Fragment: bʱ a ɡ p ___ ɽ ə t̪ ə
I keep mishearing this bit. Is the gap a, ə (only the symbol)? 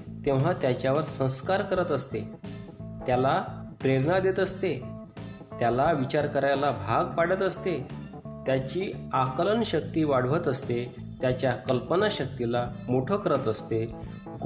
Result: a